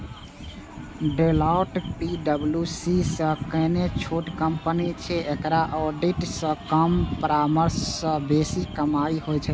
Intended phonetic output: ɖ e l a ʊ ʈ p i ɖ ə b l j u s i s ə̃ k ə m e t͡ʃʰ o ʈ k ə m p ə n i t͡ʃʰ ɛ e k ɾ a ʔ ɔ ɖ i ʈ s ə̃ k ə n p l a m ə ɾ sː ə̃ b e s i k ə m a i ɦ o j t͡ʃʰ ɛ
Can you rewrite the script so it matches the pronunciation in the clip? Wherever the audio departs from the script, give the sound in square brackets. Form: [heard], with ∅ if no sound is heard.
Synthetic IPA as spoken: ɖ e l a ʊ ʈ p i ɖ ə b l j u s i s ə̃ k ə [n] e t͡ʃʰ o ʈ k ə m p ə n i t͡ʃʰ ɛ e k ɾ a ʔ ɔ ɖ i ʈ s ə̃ k ə [m] p [ɾ] a m ə ɾ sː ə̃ b e s i k ə m a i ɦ o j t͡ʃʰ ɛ